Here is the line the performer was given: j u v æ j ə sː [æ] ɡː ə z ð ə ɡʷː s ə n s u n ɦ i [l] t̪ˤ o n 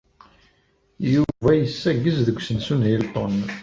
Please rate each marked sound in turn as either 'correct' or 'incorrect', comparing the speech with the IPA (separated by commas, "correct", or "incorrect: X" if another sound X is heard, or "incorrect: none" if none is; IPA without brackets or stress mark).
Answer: correct, correct